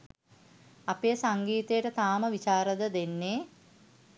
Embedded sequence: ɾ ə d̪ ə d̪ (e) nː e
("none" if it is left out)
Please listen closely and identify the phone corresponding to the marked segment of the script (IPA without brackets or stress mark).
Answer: e